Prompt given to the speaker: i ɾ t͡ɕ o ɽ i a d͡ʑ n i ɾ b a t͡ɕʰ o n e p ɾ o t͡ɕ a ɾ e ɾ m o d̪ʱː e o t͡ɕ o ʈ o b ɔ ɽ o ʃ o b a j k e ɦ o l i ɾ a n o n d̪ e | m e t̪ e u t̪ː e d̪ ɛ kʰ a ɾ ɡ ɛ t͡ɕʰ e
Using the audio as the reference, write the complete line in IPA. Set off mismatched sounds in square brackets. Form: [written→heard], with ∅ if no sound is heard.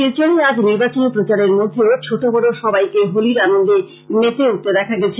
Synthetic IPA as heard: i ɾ t͡ɕ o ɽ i a d͡ʑ n i ɾ b a [t͡ɕʰ→t͡ɕ] o n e p ɾ o t͡ɕ a ɾ e ɾ m o d̪ʱː e o [t͡ɕ→t͡ɕʰ] o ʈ o b ɔ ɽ o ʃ [o→ɔ] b a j k e ɦ o l i ɾ a n o n d̪ e | m e t̪ e u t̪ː e d̪ ɛ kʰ a [ɾ→∅] ɡ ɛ t͡ɕʰ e